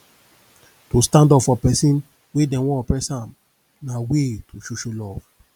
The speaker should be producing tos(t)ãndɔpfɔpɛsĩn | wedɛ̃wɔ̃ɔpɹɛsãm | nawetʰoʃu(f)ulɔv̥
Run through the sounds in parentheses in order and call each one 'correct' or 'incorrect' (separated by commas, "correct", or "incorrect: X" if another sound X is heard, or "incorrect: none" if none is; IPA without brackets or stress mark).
correct, incorrect: ʃ